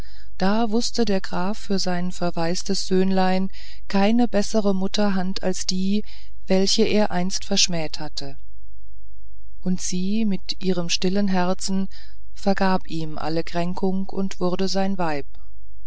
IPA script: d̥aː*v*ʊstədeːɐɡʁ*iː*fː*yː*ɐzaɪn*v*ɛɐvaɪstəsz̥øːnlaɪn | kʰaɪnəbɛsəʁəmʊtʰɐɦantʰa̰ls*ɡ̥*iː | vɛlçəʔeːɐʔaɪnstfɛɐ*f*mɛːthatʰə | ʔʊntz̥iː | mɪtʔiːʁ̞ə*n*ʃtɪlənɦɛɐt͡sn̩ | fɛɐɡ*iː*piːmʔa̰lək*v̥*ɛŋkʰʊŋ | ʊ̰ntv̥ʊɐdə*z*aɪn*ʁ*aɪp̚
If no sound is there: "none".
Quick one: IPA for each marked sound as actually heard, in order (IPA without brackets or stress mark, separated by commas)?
v, aː, yː, f, d̥, ʃ, m, aː, ʁ̥, z, v